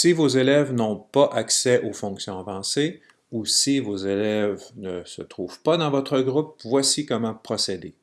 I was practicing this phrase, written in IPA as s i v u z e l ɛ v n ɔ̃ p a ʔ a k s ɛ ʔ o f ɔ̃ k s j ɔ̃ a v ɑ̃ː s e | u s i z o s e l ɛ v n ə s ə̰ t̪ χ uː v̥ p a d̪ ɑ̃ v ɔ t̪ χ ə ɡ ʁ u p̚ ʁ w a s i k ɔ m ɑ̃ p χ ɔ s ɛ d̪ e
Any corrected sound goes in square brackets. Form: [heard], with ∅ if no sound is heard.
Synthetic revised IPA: s i v [o] z e l ɛ v n ɔ̃ p a ʔ a k s ɛ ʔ o f ɔ̃ k s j ɔ̃ a v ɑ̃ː s e | u s i [v] o [z] e l ɛ v n ə s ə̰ t̪ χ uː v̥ p a d̪ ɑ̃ v ɔ t̪ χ ə ɡ ʁ u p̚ [v] w a s i k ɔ m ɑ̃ p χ ɔ s [e] d̪ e